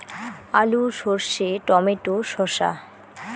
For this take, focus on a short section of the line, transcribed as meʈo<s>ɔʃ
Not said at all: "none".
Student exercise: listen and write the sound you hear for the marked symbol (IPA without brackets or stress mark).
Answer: ʃ